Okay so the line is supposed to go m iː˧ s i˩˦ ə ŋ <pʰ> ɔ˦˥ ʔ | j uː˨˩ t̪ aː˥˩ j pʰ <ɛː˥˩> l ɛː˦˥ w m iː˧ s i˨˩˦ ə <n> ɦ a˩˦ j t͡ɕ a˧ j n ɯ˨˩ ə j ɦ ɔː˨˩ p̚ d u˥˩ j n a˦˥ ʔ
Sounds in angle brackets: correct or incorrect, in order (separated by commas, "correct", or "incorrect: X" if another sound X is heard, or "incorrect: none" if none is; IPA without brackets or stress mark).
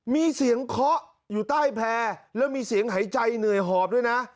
incorrect: kʰ, incorrect: ɛː˧, incorrect: ŋ